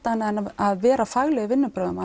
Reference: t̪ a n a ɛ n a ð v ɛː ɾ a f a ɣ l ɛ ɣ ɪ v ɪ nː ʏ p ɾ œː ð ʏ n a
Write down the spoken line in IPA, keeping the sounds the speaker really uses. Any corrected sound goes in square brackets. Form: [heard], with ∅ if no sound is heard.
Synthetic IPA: t̪ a n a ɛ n a ð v ɛː ɾ a f a ɣ l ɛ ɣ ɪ v ɪ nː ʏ p ɾ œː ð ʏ [m] a